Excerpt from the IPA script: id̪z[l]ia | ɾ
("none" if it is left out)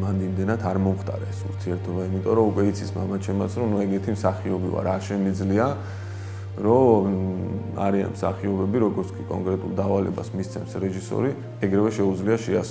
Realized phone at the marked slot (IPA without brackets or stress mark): l